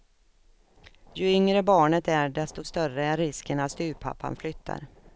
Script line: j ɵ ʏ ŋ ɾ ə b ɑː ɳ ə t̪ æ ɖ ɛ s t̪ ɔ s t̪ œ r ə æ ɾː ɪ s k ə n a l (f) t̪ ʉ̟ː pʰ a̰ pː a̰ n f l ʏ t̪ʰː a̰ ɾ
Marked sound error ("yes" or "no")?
yes